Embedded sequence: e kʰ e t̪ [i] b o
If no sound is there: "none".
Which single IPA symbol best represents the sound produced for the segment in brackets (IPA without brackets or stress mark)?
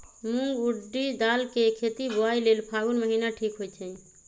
i